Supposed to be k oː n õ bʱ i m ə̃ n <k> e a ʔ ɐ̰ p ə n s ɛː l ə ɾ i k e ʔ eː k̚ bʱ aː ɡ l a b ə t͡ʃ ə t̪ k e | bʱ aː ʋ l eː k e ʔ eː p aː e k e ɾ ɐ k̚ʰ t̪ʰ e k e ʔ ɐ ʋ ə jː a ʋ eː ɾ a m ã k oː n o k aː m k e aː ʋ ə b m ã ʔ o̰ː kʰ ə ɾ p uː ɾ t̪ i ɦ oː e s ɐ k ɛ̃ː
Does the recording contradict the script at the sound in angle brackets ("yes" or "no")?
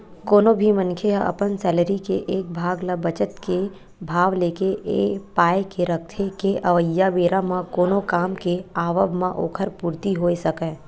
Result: yes